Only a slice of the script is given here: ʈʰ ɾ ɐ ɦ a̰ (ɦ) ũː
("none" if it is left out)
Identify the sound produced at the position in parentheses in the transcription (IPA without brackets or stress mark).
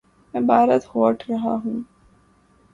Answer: ɦ